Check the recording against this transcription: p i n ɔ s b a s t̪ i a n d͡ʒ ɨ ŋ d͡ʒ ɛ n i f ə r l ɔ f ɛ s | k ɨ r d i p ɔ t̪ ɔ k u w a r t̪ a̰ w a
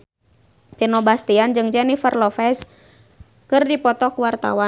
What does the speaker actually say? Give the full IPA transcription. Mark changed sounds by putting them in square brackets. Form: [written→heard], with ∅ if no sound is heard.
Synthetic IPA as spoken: p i n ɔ [s→∅] b a s t̪ i a n d͡ʒ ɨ ŋ d͡ʒ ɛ n i f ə r l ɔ f ɛ s | k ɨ r d i p ɔ t̪ ɔ k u w a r t̪ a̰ w a